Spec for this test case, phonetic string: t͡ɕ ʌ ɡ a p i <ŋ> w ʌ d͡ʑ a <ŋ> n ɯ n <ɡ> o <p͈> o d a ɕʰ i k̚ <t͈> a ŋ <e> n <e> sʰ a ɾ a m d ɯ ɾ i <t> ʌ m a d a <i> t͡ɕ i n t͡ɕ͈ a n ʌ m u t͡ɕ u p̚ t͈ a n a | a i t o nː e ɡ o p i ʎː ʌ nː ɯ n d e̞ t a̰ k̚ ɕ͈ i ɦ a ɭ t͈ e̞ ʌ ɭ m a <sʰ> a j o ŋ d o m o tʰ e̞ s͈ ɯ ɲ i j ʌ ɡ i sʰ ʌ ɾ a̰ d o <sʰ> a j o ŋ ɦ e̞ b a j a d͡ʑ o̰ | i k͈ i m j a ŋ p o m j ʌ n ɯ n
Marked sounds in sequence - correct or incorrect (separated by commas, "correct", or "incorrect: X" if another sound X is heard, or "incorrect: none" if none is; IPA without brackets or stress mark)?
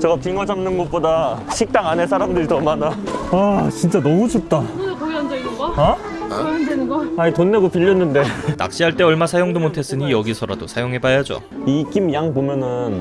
correct, incorrect: m, correct, correct, correct, incorrect: a, correct, correct, incorrect: a, correct, correct